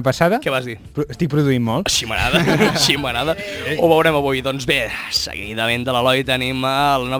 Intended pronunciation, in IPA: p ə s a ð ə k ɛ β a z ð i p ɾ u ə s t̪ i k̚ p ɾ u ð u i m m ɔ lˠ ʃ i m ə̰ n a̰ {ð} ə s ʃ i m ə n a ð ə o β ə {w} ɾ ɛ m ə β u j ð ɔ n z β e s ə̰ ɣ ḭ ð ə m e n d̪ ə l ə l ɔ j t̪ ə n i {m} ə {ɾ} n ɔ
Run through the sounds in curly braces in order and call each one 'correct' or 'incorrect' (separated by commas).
correct, correct, correct, incorrect